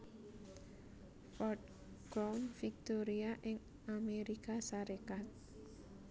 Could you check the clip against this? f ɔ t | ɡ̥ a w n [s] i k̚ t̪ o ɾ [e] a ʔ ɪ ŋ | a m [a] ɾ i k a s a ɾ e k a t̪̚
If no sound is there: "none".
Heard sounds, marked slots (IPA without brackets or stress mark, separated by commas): f, i, e